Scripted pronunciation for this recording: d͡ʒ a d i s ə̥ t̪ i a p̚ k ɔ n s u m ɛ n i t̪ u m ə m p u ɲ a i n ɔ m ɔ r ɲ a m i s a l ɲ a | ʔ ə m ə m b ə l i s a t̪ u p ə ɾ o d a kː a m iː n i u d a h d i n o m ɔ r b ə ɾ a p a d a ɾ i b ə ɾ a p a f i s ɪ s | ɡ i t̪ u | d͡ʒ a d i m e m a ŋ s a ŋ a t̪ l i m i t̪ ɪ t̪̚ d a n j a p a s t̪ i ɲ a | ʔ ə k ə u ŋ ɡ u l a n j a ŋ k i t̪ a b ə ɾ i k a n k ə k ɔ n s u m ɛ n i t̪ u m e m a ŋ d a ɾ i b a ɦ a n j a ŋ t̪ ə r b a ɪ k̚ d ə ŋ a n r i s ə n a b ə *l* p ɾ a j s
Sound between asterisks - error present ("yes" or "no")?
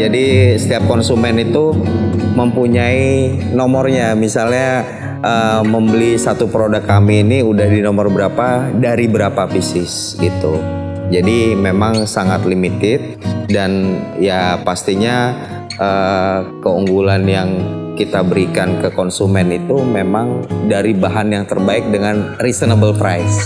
no